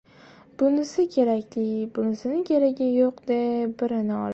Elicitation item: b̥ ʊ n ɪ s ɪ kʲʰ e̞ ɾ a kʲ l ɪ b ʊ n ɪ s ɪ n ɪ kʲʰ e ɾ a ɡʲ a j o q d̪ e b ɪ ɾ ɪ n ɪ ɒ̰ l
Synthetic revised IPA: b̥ ʊ n ɪ s ɪ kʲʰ e̞ ɾ a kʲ l ɪ b ʊ n ɪ s ɪ n ɪ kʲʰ e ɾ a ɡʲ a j o q d̪ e b ɪ ɾ ɪ n ɪ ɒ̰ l